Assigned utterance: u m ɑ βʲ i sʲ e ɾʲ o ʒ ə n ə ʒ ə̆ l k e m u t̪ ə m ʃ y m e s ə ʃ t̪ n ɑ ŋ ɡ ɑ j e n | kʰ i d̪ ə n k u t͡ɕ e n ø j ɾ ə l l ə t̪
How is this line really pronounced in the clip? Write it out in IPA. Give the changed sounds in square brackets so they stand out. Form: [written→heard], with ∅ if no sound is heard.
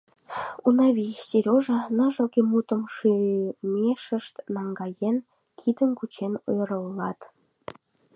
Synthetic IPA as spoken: u [m→n] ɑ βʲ i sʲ e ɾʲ o ʒ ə n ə ʒ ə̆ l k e m u t̪ ə m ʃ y m e [s→ʃ] ə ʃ t̪ n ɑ ŋ ɡ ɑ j e n | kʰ i d̪ ə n k u t͡ɕ e n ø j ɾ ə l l [ə→ɑ] t̪

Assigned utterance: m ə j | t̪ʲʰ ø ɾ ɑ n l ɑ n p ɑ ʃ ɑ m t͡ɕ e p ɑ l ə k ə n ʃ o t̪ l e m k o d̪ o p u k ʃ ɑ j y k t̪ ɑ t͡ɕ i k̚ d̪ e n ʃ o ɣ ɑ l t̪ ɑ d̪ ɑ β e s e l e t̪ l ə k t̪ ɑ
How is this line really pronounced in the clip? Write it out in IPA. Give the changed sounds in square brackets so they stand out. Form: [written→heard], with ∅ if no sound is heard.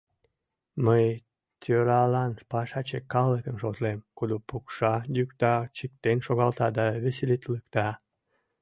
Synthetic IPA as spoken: m ə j | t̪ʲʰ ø ɾ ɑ [n→∅] l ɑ n p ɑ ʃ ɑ [m→∅] t͡ɕ e [p→k] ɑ l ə k ə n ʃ o t̪ l e m k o d̪ o p u k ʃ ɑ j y k t̪ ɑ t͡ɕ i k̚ [d̪→t̪] e n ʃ o ɣ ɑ l t̪ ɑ d̪ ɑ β e s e l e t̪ l ə k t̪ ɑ

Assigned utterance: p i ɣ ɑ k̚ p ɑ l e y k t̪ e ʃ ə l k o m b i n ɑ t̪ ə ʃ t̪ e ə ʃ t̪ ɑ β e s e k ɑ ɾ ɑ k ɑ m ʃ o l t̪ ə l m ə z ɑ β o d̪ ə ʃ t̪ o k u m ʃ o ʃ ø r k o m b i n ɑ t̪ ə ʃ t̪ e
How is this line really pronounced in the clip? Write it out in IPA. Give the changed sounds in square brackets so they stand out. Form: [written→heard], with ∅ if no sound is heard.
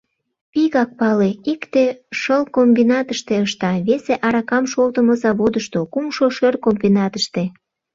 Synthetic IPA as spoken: p i ɣ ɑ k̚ p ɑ l e [y→i] k t̪ e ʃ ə l k o m b i n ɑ t̪ ə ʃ t̪ e ə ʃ t̪ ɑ β e s e [k→ʔ] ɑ ɾ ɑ k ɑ m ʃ o l t̪ ə [l→∅] m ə z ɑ β o d̪ ə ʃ t̪ o k u m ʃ o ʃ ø r k o m b i n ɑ t̪ ə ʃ t̪ e

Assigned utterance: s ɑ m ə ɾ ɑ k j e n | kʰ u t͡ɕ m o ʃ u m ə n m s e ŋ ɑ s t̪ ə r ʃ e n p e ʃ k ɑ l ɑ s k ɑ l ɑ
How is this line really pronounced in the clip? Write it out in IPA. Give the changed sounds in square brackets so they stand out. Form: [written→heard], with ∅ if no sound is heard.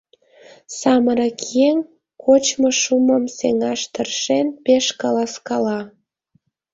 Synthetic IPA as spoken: s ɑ m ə ɾ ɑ k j e [n→ŋ] | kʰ [u→o] t͡ɕ m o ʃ u m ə [n→∅] m s e ŋ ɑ [s→ʃ] t̪ ə r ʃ e n p e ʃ k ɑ l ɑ s k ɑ l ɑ

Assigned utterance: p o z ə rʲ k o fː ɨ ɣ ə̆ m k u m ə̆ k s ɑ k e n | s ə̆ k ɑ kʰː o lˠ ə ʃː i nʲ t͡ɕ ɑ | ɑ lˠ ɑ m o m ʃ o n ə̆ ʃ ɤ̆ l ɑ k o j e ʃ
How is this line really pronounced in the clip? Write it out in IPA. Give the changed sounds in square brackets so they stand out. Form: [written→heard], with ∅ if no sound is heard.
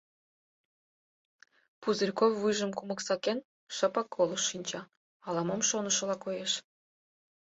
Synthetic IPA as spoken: p [o→u] z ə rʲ k o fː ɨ [ɣ→ʒ] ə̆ m k u m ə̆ k s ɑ k e n | [s→ʃ] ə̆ [k→p] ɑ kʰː o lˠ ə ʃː i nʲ t͡ɕ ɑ | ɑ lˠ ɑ m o m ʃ o n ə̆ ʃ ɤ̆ l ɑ k o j e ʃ

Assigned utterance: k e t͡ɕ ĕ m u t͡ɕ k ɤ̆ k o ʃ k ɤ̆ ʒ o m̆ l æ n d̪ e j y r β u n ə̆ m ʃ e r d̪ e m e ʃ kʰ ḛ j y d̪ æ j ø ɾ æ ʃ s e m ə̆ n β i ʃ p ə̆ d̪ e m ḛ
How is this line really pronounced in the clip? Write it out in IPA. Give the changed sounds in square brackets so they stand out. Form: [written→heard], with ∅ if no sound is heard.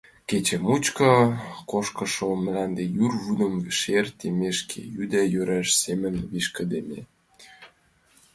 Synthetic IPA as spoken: k e t͡ɕ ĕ m u t͡ɕ k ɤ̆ k o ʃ k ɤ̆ [ʒ→ʃ] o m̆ l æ n d̪ e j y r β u n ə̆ m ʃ e r [d̪→t̪] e m e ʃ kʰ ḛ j y d̪ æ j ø ɾ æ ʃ s e m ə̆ n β i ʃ [p→k] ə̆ d̪ e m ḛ

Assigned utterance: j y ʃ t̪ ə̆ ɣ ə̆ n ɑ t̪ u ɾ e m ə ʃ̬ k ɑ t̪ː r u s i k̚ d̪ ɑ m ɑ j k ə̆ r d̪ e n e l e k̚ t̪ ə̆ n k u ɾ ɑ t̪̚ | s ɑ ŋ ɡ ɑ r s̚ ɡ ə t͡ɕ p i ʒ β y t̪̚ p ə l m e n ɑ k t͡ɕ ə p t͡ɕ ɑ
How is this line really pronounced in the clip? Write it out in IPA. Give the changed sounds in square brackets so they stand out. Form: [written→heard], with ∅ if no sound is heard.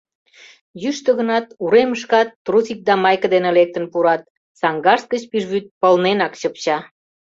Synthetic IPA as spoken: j y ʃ t̪ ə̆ ɣ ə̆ n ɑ t̪ u ɾ e m ə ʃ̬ k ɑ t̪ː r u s i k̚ d̪ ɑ m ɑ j k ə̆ [r→∅] d̪ e n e l e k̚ t̪ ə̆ n [k→p] u ɾ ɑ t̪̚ | s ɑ ŋ ɡ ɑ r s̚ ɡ ə t͡ɕ p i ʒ β y t̪̚ p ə l [m→n] e n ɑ k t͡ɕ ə p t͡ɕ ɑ

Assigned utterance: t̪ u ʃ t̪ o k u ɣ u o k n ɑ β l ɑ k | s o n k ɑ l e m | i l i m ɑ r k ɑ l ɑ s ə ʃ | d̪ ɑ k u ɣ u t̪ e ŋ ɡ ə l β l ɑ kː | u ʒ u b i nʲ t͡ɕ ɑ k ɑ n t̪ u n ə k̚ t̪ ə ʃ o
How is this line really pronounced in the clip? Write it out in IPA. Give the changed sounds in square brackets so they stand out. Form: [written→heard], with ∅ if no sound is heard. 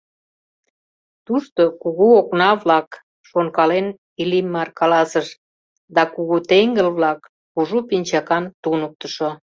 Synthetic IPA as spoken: t̪ u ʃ t̪ o k u ɣ u o k n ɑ β l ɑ k | [s→ʃ] o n k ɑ l e [m→n] | i l i m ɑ r k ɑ l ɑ s ə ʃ | d̪ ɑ k u ɣ u t̪ e ŋ ɡ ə l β l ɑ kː | u ʒ u [b→p] i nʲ t͡ɕ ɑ k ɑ n t̪ u n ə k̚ t̪ ə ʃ o

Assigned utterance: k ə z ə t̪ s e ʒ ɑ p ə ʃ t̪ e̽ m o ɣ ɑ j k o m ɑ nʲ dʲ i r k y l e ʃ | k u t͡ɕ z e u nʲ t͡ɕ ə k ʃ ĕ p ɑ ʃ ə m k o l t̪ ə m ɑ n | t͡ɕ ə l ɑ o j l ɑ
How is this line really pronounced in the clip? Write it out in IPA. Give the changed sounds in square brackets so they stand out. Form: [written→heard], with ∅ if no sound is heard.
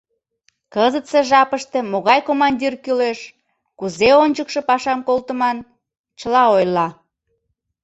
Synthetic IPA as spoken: k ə z ə t̪ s e ʒ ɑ p ə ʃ t̪ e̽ m o ɣ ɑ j k o m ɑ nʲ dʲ i r k y l e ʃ | k u [t͡ɕ→∅] z e [u→o] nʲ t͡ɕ ə k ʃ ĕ p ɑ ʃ [ə→ɑ] m k o l t̪ ə m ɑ n | t͡ɕ ə l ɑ o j l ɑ

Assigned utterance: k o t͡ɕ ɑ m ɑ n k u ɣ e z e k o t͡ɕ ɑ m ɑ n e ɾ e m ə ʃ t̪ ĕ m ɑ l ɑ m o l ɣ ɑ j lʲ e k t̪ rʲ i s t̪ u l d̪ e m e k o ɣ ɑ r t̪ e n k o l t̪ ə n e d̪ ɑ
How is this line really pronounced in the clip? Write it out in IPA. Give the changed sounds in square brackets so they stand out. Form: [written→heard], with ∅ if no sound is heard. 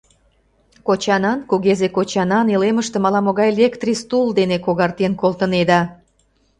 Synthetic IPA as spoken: k o t͡ɕ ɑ [m→n] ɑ n k u ɣ e z e k o t͡ɕ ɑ [m→n] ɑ n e [ɾ→l] e m ə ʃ t̪ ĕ m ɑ l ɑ m o [l→∅] ɣ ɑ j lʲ e k t̪ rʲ i s t̪ u l d̪ e [m→n] e k o ɣ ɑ r t̪ e n k o l t̪ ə n e d̪ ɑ

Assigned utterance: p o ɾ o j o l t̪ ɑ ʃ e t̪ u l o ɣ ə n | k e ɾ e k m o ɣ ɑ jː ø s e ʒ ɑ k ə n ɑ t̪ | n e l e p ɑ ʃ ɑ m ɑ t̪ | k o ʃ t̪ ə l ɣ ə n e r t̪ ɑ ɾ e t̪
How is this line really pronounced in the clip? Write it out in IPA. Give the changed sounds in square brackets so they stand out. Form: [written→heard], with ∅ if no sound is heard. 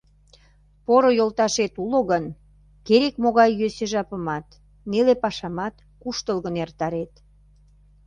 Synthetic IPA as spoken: p o ɾ o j o l t̪ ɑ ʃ e t̪ u l o ɣ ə n | k e ɾ e k m o ɣ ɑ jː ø s e ʒ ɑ [k→p] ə [n→m] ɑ t̪ | n e l e p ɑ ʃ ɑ m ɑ t̪ | k [o→u] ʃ t̪ ə l ɣ ə n e r t̪ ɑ ɾ e t̪

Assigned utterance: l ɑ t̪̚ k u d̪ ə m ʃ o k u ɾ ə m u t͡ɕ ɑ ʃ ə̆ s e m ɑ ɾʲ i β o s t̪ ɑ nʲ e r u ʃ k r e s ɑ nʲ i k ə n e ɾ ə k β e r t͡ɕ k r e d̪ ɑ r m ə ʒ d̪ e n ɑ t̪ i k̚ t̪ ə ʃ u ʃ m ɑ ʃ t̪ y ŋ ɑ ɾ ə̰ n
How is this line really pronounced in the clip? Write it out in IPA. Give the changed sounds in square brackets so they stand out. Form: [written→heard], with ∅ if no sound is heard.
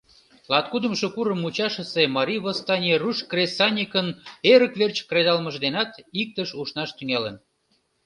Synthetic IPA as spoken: l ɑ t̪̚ k u d̪ ə m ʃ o k u ɾ ə m u t͡ɕ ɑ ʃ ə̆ s e m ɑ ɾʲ i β o s t̪ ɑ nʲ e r u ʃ k r e s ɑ nʲ i k ə n e ɾ ə k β e r t͡ɕ k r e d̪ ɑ [r→l] m ə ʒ d̪ e n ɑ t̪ i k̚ t̪ ə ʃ u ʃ [m→n] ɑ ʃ t̪ y ŋ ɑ [ɾ→l] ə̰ n

